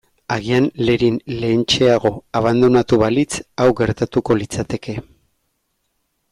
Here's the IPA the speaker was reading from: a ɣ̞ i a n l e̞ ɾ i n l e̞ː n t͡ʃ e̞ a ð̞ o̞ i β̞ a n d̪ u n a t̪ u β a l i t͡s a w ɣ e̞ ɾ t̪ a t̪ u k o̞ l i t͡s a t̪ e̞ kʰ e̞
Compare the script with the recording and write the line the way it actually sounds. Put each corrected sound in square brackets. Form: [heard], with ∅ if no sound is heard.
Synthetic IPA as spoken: a ɣ̞ i a n l e̞ ɾ i n l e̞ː n t͡ʃ e̞ a [ɣ̞] o̞ [a] β̞ a n d̪ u n a t̪ u β a l i t͡s a w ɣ e̞ ɾ t̪ a t̪ u k o̞ l i t͡s a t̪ e̞ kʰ e̞